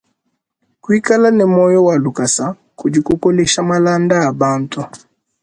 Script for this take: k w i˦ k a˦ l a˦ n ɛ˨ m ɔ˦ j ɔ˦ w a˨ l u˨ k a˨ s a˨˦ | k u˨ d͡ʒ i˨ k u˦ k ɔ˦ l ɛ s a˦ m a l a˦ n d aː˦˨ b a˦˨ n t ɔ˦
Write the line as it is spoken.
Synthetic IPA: k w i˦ k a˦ l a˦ n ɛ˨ m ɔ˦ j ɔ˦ w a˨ l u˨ k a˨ s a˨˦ | k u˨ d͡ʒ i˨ k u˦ k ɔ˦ l ɛ ʃ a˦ m a l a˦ n d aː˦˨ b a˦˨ n t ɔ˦